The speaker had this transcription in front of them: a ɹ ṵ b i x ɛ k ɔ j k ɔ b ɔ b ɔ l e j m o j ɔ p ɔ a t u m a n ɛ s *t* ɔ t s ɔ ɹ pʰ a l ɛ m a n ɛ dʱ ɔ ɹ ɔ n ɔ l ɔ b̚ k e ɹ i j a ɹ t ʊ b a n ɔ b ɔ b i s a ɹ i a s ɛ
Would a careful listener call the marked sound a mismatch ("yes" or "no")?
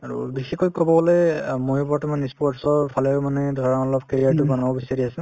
yes